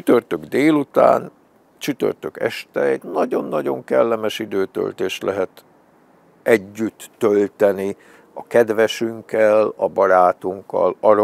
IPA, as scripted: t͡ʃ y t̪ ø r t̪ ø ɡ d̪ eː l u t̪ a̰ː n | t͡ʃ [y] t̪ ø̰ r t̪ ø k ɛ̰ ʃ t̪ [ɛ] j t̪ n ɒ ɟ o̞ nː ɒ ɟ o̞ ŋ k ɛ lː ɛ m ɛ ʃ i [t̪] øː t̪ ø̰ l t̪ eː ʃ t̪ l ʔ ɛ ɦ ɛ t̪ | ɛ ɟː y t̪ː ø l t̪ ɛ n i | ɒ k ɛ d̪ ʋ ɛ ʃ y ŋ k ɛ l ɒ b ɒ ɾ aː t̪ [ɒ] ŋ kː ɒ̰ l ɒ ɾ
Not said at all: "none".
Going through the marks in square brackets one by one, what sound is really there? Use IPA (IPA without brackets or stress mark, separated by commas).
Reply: y, ɛ, d̪, u